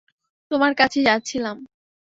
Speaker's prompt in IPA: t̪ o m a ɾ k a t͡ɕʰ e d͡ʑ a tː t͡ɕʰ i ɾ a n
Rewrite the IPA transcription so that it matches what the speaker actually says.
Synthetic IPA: t̪ o m a ɾ k a t͡ɕʰ e d͡ʑ a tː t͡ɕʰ i l a m